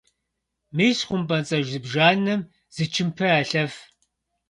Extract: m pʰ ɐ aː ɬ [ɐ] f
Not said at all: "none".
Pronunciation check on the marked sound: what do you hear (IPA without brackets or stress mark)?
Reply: ɐ